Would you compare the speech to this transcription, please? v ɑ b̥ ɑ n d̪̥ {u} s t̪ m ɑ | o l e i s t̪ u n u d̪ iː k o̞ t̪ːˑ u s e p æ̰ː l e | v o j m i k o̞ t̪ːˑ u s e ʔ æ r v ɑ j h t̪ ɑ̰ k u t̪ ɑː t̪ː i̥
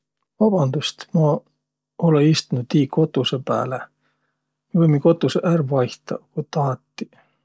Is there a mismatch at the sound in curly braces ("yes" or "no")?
no